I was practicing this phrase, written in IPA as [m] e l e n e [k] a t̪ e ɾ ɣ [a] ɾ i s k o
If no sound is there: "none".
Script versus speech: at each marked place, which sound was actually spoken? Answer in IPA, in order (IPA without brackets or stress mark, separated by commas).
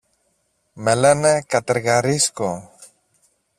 m, k, a